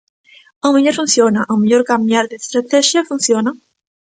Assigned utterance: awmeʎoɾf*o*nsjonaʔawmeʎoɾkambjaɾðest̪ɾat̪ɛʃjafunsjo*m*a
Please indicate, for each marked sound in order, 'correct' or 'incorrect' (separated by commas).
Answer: incorrect, incorrect